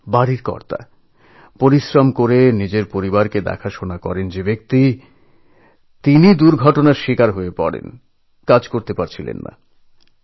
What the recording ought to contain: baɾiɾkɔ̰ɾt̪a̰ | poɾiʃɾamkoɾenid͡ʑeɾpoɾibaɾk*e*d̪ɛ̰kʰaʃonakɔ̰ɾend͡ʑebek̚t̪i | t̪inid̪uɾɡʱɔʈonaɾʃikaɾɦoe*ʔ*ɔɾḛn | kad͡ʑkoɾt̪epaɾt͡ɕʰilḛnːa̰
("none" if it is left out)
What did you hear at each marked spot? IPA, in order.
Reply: e, p

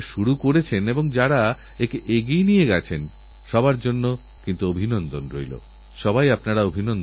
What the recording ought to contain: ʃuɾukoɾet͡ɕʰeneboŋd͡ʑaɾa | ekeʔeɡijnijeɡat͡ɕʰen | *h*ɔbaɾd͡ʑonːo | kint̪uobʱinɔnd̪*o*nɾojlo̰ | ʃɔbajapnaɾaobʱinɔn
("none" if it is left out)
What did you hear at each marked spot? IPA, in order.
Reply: ʃ, o

